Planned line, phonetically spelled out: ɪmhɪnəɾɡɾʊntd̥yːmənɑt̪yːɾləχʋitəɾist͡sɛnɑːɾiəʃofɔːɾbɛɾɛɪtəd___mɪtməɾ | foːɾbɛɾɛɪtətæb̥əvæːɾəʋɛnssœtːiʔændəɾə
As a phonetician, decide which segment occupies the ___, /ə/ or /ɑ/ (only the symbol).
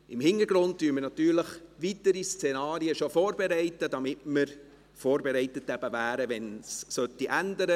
ɑ